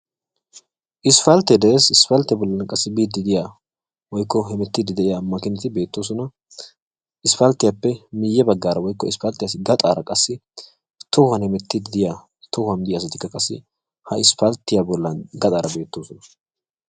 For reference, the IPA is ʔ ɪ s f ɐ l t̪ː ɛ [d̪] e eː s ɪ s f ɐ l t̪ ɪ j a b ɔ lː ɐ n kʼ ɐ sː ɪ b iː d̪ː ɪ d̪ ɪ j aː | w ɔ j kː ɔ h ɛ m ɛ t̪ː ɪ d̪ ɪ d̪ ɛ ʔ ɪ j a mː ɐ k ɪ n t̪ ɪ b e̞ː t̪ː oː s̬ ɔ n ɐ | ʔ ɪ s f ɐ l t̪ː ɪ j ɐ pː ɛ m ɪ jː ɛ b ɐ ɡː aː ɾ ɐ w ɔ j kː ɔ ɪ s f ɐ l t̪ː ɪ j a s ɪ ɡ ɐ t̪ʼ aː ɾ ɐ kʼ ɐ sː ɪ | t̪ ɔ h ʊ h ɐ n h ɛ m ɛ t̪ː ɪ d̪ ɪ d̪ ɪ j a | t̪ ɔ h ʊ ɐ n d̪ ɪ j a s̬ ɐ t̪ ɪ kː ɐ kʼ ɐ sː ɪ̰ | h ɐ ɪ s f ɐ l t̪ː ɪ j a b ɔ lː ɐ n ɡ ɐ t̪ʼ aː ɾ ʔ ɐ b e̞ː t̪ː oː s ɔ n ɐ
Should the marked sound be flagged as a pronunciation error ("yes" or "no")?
no